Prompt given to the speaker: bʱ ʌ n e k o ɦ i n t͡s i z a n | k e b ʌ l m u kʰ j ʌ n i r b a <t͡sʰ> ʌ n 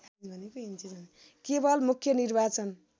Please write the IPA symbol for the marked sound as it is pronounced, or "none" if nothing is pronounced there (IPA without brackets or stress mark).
t͡s